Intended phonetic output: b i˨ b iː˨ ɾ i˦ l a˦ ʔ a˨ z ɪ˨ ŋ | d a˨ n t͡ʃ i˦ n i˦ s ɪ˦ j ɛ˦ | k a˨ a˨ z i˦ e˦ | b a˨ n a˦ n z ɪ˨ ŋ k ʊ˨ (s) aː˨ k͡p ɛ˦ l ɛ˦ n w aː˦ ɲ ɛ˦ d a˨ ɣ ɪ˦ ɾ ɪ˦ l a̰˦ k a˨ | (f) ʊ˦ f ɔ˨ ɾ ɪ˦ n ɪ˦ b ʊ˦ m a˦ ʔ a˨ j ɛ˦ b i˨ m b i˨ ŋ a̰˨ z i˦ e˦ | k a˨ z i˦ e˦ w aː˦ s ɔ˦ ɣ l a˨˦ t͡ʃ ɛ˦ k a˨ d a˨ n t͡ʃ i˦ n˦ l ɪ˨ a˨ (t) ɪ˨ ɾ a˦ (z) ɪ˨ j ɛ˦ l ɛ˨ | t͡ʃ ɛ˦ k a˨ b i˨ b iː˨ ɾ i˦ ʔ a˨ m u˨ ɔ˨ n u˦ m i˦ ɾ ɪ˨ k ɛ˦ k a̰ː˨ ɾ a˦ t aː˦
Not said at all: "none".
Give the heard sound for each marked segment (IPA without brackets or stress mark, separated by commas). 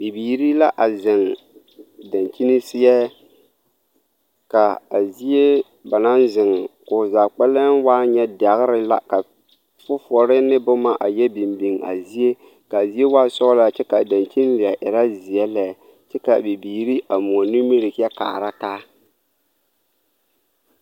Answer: z, f, ʔ, z